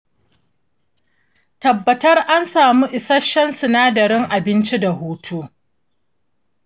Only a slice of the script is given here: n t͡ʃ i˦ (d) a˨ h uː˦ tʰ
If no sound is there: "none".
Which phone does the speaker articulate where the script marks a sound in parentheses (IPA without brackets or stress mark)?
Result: d